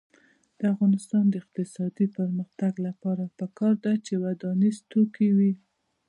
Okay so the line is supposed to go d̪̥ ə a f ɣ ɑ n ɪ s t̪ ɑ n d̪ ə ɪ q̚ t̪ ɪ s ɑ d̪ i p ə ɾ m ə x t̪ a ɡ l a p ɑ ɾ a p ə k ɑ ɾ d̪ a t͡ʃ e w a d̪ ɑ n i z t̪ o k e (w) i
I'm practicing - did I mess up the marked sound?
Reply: no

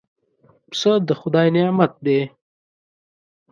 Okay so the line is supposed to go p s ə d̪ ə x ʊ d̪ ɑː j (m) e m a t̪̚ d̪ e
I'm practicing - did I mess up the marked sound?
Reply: yes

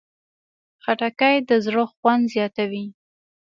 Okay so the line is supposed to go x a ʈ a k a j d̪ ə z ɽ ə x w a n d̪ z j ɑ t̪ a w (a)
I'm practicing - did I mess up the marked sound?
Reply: yes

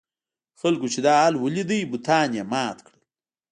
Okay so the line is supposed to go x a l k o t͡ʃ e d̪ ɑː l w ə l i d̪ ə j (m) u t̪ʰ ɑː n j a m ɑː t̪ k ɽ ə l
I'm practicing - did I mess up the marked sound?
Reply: yes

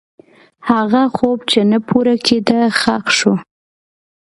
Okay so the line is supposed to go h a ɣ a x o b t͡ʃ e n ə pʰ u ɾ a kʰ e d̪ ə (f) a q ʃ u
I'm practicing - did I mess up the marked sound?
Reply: yes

